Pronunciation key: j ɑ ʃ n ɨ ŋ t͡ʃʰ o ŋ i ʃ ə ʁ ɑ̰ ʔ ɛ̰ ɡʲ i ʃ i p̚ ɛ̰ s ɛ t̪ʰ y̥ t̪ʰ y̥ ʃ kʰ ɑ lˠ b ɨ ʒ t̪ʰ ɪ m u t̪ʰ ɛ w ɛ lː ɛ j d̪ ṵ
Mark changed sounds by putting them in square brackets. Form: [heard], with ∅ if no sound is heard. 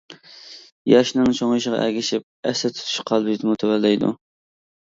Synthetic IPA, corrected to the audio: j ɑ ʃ n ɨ ŋ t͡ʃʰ o ŋ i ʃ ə ʁ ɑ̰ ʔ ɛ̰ ɡʲ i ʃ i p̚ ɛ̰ s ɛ t̪ʰ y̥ t̪ʰ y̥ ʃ [qʰ] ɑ lˠ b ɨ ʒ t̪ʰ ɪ m u t̪ʰ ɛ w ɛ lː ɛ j d̪ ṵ